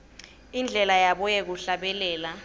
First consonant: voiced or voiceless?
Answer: voiced